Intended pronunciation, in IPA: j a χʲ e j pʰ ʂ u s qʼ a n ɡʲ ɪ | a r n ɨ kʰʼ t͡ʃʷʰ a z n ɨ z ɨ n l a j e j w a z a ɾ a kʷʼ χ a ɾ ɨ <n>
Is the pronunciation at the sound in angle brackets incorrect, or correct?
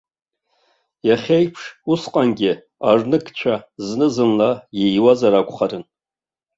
correct